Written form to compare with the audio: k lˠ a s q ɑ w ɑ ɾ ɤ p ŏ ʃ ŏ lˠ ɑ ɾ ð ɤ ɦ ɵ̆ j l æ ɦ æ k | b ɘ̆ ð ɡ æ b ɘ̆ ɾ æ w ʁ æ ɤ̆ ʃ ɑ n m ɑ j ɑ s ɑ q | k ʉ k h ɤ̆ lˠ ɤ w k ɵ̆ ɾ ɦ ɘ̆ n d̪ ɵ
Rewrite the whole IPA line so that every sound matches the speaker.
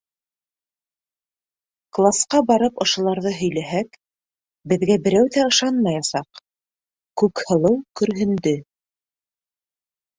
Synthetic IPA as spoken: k lˠ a s q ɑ b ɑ ɾ ɤ p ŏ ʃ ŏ lˠ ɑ ɾ ð ɤ ɦ ɵ̆ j l æ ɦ æ k | b ɘ̆ ð ɡ æ b ɘ̆ ɾ æ w ð æ ɤ̆ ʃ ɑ n m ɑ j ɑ s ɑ q | k ʉ k h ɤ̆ lˠ ɤ w k ɵ̆ ɾ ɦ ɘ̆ n d̪ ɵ